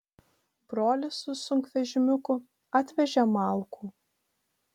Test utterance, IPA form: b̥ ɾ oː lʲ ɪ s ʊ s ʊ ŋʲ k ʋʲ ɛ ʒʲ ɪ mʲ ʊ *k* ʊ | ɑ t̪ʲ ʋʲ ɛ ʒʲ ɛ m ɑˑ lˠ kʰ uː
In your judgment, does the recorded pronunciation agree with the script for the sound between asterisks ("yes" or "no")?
yes